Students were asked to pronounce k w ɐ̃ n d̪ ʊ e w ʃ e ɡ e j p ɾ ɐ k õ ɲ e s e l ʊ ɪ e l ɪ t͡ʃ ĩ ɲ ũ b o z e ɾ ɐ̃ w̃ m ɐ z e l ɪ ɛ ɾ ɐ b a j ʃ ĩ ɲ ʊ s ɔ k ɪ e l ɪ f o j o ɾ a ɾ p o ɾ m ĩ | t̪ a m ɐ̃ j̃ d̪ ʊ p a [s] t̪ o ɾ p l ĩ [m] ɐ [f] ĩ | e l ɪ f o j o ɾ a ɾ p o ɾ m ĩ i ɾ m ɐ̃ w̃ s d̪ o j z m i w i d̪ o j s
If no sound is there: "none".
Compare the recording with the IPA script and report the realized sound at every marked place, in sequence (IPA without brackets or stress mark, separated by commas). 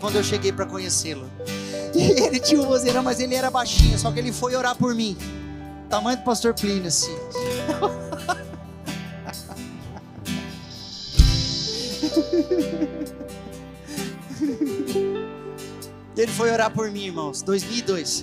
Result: s, n, s